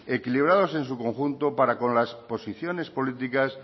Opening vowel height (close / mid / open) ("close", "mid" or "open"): mid